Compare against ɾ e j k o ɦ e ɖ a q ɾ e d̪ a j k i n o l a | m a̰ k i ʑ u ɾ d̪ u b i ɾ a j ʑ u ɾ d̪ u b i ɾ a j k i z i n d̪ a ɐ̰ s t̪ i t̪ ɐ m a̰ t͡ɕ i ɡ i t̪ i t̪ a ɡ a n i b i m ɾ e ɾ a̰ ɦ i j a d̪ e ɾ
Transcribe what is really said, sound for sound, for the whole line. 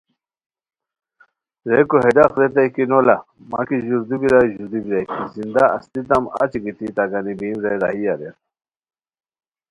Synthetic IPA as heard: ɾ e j k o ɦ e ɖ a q ɾ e t̪ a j k i n o l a | m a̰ k i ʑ u ɾ d̪ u b i ɾ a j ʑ u ɾ d̪ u b i ɾ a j k i z i n d̪ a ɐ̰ s t̪ i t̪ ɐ m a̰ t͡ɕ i ɡ i t̪ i t̪ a ɡ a n i b i m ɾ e ɾ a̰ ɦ i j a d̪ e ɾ